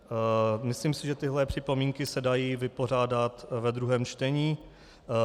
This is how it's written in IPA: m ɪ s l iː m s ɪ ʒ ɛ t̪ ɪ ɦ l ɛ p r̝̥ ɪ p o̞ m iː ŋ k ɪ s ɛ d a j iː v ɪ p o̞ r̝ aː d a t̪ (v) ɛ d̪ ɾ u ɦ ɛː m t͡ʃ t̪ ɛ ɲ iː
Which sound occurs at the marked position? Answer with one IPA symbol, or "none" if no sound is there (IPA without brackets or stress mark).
v